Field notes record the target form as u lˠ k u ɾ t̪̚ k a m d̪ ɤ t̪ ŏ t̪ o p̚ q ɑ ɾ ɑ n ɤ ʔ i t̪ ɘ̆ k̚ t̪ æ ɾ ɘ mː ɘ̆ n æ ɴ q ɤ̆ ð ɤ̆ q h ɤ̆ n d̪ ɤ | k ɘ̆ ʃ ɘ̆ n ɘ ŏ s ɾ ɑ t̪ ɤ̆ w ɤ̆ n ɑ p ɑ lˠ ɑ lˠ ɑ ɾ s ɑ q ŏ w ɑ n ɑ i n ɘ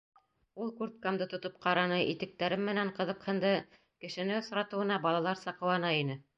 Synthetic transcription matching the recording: u lˠ k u ɾ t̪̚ k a m d̪ ɤ t̪ ŏ t̪ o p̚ q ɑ ɾ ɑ n ɤ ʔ i t̪ ɘ̆ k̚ t̪ æ ɾ ɘ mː ɘ̆ n æ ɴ q ɤ̆ ð ɤ̆ q h ɤ̆ n d̪ ɤ | k ɘ̆ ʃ ɘ̆ n ɘ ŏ s ɾ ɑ t̪ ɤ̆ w ɤ̆ n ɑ b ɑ lˠ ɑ lˠ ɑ ɾ s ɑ q ɤ̆ w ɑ n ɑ i n ɘ